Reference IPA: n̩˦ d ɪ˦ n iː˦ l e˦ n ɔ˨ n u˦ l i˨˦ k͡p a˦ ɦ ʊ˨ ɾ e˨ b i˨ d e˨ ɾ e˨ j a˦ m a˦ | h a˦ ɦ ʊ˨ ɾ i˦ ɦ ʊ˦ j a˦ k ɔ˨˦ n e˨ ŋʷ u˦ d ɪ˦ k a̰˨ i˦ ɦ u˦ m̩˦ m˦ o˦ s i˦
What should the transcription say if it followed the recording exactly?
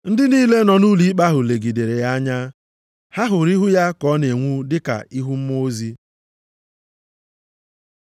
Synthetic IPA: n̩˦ d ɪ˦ n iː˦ l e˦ n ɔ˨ n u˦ l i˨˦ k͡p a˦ ɦ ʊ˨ l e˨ ɡ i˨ d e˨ ɾ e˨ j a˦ ɲ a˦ | h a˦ ɦ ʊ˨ ɾ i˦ ɦ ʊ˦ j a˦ k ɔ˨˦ n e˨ ŋʷ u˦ d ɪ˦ k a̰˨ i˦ ɦ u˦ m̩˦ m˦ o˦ z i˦